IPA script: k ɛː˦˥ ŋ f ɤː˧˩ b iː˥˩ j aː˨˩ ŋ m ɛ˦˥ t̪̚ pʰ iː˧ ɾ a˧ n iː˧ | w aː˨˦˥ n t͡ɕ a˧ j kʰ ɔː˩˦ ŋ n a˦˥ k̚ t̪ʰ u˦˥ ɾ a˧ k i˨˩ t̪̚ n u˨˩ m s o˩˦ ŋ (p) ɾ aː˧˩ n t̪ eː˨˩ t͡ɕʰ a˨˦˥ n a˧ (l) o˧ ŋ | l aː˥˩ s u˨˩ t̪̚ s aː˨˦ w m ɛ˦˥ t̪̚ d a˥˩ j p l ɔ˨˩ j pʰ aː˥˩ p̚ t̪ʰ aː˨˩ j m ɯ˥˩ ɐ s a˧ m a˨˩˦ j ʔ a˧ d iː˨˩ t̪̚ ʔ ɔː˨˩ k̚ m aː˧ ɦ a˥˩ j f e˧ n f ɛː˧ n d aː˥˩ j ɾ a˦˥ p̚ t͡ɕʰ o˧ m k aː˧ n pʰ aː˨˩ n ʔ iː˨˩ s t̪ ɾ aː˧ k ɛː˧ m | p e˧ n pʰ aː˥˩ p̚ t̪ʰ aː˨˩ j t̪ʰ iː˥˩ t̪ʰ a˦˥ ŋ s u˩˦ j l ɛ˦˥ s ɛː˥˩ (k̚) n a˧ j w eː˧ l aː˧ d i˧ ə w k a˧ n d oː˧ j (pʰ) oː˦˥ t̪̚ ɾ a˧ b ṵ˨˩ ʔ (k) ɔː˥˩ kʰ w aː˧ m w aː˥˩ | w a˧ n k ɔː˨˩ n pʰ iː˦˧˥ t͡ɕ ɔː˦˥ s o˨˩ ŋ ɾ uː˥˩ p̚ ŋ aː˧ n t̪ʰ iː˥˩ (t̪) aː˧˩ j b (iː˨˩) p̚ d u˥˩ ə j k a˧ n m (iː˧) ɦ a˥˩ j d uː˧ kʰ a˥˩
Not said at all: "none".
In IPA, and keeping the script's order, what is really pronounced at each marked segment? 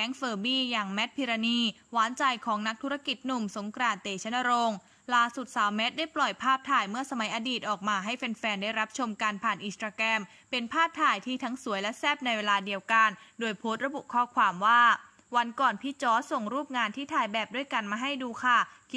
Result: k, ɾ, p̚, pʰ, kʰ, t̪ʰ, ɛː˨˩, aː˧

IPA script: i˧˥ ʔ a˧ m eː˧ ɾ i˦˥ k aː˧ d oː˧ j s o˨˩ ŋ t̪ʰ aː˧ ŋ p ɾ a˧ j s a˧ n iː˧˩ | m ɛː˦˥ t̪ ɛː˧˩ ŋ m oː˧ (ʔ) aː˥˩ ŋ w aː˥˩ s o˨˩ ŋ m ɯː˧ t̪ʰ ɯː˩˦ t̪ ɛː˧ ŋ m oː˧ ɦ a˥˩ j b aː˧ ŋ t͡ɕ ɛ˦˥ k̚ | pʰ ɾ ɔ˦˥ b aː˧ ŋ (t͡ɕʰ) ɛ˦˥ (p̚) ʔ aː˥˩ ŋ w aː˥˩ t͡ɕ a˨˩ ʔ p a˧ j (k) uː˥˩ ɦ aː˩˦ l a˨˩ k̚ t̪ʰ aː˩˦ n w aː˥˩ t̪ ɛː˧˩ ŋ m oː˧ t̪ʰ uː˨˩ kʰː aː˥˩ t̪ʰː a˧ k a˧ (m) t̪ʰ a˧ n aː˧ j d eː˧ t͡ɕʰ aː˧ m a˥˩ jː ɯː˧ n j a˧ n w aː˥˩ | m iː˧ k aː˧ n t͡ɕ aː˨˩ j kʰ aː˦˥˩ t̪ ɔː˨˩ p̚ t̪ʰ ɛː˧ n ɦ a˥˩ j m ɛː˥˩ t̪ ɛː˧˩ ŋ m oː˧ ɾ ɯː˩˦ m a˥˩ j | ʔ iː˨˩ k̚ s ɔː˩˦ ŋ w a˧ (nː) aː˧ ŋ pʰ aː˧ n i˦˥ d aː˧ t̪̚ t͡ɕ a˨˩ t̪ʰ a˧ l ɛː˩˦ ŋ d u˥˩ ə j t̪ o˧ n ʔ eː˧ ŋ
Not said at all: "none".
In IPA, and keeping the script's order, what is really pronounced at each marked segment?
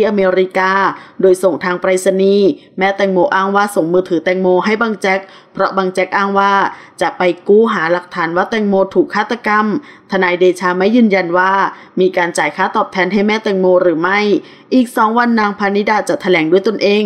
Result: ʔ, t͡ɕ, k̚, k, m, nː

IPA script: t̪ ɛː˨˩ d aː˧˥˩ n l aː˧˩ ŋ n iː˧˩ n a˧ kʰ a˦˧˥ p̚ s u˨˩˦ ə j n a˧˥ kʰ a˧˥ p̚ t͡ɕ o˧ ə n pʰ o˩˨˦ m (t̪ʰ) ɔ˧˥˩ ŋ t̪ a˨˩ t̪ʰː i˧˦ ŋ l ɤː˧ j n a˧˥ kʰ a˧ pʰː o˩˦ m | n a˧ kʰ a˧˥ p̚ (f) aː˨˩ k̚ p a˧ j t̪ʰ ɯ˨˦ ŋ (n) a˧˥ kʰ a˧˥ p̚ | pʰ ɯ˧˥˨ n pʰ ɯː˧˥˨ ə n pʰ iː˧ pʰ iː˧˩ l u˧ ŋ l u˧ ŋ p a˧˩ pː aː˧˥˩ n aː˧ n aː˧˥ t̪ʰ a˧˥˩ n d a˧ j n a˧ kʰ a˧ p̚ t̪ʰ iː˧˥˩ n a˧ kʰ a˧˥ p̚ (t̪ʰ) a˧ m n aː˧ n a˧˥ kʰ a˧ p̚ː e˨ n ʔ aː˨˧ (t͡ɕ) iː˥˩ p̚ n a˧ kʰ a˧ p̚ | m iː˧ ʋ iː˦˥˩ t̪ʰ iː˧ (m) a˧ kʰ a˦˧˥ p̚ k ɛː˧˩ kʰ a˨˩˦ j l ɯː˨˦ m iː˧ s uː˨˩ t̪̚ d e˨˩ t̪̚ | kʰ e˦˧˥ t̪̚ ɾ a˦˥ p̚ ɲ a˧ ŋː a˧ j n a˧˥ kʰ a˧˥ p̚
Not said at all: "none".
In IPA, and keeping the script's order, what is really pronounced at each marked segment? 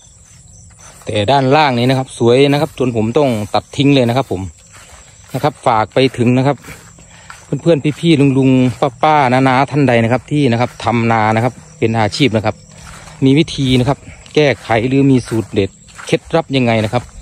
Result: t̪, f, n, t̪ʰ, t͡ɕʰ, n

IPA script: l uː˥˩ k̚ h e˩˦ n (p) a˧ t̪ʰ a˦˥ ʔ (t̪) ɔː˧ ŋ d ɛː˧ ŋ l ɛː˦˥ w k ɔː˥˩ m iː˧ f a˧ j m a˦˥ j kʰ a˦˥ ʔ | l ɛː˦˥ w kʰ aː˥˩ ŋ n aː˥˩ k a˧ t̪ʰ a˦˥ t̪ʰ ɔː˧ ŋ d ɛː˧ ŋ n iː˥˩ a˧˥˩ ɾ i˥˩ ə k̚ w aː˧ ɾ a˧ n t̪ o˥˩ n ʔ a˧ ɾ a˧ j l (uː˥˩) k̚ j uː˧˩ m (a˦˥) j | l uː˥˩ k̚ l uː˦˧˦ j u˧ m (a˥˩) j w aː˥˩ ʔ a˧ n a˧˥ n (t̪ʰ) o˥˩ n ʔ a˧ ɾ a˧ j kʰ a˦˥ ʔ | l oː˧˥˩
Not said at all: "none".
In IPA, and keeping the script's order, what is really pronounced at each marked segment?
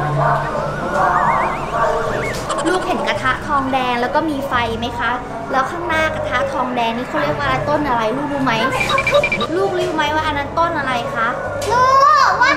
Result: k, t̪ʰ, uː˥˩, a˦˥, a˦˥, t̪

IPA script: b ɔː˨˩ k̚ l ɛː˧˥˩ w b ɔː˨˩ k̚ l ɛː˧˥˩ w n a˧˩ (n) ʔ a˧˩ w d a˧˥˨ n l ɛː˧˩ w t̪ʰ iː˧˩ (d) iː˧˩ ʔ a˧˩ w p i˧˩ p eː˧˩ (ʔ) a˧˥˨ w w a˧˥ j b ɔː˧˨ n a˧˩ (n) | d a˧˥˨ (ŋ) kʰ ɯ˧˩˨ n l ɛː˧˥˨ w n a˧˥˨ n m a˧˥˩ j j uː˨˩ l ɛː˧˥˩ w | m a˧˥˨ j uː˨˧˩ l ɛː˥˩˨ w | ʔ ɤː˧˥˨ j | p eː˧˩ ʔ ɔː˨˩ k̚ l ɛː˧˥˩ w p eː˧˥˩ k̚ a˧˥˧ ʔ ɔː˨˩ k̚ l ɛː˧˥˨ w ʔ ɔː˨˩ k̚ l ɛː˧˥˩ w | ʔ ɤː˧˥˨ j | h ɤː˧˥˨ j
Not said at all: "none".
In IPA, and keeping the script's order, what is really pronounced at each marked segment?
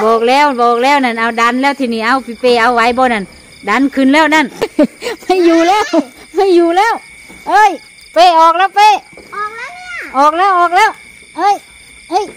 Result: n, n, ʔ, n, n

